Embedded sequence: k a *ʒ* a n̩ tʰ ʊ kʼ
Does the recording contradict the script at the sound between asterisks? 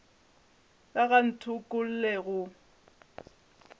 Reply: yes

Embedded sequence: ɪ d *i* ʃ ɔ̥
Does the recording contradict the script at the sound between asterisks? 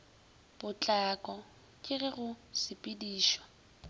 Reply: yes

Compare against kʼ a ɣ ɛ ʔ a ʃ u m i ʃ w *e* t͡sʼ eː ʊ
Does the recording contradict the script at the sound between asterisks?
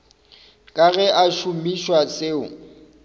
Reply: yes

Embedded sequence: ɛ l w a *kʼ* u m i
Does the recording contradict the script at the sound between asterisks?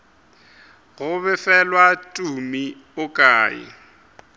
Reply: yes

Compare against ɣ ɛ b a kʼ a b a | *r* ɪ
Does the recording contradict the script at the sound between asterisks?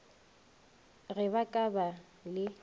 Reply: yes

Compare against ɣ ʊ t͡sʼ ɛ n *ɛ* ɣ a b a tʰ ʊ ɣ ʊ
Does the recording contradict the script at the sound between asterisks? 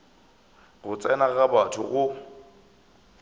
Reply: yes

